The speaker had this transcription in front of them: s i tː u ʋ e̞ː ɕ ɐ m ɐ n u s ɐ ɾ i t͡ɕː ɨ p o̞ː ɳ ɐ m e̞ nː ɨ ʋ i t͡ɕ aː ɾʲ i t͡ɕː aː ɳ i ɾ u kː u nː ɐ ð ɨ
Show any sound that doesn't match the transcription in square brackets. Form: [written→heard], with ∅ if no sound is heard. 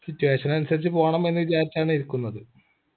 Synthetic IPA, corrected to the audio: s i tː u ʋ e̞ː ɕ ɐ [m→n] ɐ n u s ɐ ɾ i t͡ɕː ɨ p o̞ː ɳ ɐ m e̞ nː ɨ ʋ i t͡ɕ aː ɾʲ i t͡ɕː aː ɳ i ɾ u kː u nː ɐ ð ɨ